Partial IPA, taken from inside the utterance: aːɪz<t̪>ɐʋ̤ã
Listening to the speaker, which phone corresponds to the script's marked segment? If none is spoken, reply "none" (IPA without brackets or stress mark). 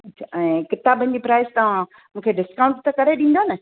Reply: t̪